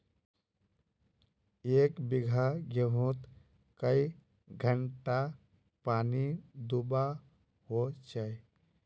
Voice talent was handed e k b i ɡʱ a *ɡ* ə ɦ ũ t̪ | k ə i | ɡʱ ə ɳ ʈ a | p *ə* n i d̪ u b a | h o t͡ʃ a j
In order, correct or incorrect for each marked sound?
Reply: correct, incorrect

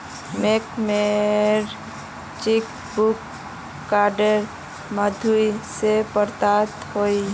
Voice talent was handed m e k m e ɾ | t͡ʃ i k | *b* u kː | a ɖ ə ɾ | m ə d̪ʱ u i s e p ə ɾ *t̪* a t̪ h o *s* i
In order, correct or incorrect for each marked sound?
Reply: correct, correct, incorrect

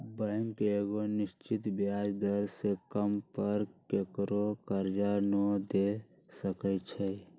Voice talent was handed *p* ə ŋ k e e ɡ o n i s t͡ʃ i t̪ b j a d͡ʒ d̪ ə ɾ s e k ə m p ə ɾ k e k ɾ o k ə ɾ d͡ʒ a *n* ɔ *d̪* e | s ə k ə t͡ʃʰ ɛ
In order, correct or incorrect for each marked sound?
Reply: incorrect, correct, correct

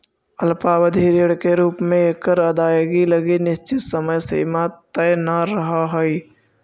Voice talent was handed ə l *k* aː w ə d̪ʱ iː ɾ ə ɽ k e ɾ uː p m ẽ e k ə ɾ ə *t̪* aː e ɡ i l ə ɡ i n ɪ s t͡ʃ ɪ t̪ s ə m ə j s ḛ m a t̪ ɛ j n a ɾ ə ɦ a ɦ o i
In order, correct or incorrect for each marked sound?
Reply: incorrect, incorrect

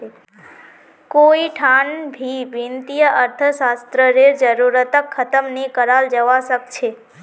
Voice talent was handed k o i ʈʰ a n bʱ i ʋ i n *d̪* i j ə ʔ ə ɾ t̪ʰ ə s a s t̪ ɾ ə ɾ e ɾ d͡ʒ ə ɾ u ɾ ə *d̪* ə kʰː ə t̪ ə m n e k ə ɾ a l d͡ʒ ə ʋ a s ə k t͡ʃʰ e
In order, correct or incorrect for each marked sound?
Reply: incorrect, incorrect

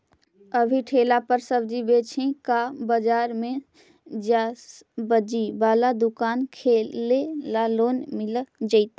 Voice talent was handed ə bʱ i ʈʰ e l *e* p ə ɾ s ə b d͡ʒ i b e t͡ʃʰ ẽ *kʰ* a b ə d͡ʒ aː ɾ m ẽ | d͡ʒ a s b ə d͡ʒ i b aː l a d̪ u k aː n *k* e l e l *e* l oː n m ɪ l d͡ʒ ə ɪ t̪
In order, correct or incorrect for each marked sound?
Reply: incorrect, incorrect, incorrect, incorrect

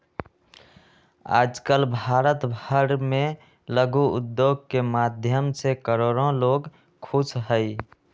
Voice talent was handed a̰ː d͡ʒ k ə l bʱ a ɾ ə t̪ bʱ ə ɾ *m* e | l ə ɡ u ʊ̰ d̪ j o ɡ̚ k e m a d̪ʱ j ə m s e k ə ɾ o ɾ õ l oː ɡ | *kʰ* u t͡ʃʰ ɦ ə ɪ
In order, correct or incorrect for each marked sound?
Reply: correct, correct

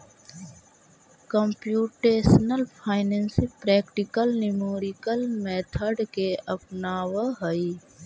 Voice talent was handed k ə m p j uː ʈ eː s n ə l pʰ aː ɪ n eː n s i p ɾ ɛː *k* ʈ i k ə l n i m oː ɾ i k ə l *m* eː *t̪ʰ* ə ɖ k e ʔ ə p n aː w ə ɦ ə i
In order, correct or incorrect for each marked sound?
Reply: correct, correct, correct

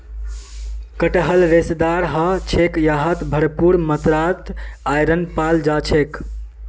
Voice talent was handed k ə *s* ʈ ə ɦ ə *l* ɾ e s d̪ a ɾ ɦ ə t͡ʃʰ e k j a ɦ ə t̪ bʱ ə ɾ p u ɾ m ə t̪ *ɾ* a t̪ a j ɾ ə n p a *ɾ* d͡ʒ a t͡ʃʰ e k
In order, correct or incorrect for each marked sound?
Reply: incorrect, correct, correct, incorrect

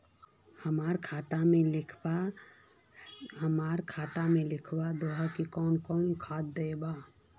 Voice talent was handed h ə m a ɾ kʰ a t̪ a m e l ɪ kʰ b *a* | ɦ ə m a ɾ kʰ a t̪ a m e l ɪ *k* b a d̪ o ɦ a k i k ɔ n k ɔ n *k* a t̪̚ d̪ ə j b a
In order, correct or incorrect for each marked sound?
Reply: correct, incorrect, incorrect

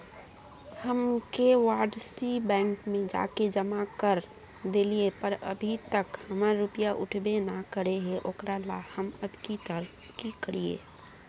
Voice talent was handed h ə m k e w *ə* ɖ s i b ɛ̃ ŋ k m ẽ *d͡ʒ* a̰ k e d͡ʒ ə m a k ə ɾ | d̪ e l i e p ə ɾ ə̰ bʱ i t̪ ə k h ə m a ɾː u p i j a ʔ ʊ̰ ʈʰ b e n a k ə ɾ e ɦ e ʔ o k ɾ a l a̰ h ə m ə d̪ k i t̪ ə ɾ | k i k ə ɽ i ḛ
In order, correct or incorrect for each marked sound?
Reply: incorrect, correct

